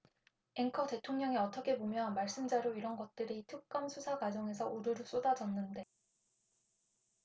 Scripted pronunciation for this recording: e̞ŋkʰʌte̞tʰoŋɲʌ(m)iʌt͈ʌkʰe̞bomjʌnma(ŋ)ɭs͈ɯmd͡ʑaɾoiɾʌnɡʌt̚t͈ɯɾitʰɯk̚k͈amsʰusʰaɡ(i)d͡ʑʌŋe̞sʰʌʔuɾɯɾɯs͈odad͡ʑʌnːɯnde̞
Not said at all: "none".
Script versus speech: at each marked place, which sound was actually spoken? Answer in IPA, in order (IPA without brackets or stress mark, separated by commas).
ŋ, none, a